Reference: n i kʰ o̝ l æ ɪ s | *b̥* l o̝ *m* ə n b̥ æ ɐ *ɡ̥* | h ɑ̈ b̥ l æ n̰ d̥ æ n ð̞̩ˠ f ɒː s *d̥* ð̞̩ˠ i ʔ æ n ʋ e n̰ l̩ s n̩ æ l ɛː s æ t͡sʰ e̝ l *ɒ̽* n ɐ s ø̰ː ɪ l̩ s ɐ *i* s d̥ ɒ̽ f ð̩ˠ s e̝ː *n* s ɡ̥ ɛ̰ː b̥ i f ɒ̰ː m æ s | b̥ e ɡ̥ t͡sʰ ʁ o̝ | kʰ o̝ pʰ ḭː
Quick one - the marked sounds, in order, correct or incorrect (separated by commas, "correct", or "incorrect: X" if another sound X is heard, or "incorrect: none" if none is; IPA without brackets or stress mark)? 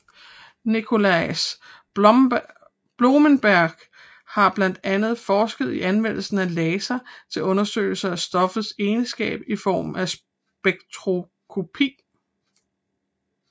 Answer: correct, correct, correct, incorrect: ɡ̥, incorrect: ɔ̽, incorrect: æ, correct